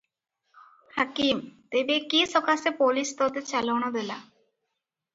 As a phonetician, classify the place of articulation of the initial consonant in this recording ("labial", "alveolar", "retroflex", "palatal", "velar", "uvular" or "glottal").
glottal